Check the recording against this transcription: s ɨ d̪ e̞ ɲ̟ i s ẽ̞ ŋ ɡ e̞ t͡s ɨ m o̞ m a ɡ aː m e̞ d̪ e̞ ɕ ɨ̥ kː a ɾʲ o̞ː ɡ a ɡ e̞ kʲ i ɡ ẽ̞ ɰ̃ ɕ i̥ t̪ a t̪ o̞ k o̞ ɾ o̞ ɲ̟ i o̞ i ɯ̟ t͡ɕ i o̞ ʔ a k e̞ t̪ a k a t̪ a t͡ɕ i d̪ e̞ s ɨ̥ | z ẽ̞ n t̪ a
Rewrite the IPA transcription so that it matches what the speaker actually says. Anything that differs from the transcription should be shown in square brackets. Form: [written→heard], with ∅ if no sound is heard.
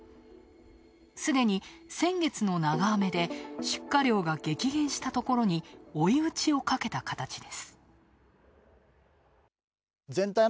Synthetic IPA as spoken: s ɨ d̪ e̞ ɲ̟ i s ẽ̞ ŋ ɡ e̞ t͡s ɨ [m→n] o̞ [m→n] a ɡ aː m e̞ d̪ e̞ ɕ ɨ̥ kː a ɾʲ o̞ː ɡ a ɡ e̞ kʲ i ɡ ẽ̞ ɰ̃ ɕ i̥ t̪ a t̪ o̞ k o̞ ɾ o̞ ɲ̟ i o̞ i ɯ̟ t͡ɕ i o̞ [ʔ→k] a k e̞ t̪ a k a t̪ a t͡ɕ i d̪ e̞ s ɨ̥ | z ẽ̞ n t̪ a